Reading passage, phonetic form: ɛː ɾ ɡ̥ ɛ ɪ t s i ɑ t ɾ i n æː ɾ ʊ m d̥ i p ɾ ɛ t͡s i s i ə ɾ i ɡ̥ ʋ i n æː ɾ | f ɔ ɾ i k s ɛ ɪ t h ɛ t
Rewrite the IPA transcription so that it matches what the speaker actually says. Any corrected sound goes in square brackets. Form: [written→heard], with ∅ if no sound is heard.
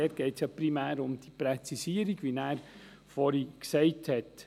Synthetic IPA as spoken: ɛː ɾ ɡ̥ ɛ ɪ t s [i→j] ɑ [t→p] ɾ i [n→m] æː ɾ ʊ m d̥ i p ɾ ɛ t͡s i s i ə ɾ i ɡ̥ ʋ i n æː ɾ | f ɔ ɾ i k s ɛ ɪ t h ɛ t